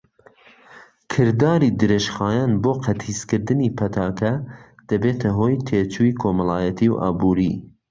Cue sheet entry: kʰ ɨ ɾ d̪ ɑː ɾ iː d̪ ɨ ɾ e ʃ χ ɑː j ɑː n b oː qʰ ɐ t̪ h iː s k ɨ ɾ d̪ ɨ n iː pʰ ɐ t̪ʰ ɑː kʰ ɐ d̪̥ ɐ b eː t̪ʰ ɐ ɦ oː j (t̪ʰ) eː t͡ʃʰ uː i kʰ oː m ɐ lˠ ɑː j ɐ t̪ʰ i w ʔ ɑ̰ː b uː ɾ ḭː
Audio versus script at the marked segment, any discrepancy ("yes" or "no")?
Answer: no